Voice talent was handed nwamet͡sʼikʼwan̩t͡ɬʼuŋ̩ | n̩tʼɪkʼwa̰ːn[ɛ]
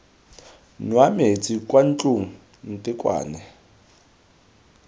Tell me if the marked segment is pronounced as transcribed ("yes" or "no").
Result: yes